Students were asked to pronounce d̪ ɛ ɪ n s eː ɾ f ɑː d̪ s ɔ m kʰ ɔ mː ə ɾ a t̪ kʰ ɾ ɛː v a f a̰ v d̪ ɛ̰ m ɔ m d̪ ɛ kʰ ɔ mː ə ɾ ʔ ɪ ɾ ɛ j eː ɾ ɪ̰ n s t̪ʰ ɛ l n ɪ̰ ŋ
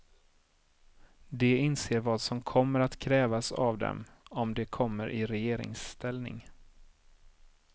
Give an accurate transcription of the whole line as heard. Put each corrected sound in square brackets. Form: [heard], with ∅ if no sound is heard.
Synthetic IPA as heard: d̪ ɛ ɪ n s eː ɾ [v] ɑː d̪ s ɔ m kʰ ɔ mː ə ɾ a t̪ kʰ ɾ ɛː v a [s] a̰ v d̪ ɛ̰ m ɔ m d̪ ɛ kʰ ɔ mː ə ɾ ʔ ɪ ɾ ɛ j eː ɾ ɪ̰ [ŋ] s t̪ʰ ɛ l n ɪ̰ ŋ